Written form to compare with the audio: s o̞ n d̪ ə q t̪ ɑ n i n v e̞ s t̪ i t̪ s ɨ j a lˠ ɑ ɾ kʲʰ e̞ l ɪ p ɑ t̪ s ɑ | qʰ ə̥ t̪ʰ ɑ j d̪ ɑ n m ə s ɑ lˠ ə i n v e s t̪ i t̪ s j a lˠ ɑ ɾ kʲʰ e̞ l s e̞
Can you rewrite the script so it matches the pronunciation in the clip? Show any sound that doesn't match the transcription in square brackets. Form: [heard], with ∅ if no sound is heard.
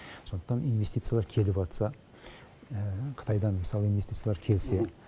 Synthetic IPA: s o̞ n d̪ ə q t̪ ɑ n i n v e̞ s t̪ i t̪ s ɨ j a lˠ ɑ ɾ kʲʰ e̞ l ɪ p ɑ t̪ s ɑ | qʰ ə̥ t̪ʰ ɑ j d̪ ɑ n m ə s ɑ lˠ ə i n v e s t̪ i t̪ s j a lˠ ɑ ɾ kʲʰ e̞ l s e̞